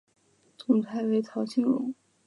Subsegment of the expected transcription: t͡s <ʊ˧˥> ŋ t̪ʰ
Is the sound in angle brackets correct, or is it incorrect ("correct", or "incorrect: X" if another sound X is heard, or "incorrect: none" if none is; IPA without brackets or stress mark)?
incorrect: ʊ˨˩